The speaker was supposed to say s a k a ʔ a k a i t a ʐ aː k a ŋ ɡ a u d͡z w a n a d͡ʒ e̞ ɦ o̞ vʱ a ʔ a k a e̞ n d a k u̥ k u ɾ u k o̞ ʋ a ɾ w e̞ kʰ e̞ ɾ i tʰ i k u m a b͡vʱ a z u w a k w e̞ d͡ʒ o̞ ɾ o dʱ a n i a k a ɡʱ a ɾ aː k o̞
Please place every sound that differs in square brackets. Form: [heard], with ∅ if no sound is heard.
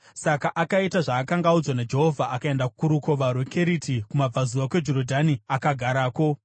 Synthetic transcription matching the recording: s a k a ʔ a k a i t a ʐ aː k a ŋ ɡ a u d͡z w a n a d͡ʒ e̞ ɦ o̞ vʱ a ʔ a k a e̞ n d a k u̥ k u ɾ u k o̞ ʋ a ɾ w e̞ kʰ e̞ ɾ i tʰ i k u m a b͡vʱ a z u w a k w e̞ d͡ʒ o̞ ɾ o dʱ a n i a k a ɡʱ a ɾ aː k o̞